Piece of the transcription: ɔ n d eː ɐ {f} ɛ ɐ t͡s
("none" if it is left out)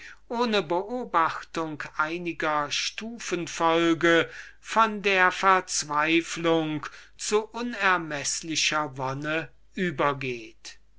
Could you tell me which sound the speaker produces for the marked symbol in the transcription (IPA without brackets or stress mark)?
f